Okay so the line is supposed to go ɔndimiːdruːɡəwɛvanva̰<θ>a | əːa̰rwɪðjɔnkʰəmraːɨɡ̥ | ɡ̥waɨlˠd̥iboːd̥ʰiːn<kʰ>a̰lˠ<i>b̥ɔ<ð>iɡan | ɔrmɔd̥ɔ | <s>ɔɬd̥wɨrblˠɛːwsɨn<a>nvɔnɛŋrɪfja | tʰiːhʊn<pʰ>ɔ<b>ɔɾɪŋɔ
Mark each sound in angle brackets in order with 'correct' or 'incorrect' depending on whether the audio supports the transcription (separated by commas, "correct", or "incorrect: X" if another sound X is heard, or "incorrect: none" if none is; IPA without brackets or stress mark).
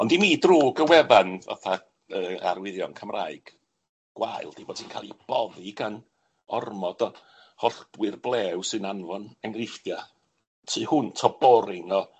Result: correct, correct, correct, correct, incorrect: h, correct, incorrect: tʰ, correct